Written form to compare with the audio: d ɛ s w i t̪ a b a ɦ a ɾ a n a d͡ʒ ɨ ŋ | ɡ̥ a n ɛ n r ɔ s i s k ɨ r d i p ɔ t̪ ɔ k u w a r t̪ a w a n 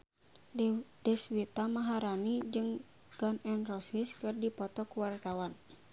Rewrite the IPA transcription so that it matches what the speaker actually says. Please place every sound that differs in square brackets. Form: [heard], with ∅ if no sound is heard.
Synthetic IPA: d ɛ s w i t̪ a [m] a ɦ a ɾ a n [i] d͡ʒ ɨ ŋ | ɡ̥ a n ɛ n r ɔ s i s k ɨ r d i p ɔ t̪ ɔ k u w a r t̪ a w a n